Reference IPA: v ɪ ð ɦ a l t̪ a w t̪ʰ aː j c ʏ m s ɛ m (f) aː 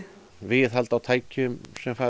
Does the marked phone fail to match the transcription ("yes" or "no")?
no